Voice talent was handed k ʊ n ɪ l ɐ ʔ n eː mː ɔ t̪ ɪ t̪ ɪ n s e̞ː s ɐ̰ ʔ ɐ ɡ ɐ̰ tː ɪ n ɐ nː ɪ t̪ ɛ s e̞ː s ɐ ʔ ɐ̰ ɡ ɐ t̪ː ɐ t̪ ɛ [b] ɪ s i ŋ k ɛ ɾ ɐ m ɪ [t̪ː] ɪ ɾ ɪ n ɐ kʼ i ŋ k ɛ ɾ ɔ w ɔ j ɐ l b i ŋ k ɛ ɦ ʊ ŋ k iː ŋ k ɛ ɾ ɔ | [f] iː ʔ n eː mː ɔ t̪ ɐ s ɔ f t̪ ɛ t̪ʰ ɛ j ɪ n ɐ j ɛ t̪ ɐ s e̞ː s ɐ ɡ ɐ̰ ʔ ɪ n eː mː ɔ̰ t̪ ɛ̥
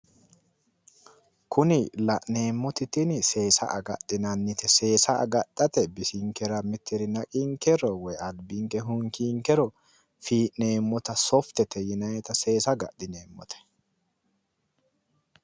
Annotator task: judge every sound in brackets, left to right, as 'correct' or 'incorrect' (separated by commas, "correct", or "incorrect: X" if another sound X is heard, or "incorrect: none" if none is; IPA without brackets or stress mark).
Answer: correct, correct, correct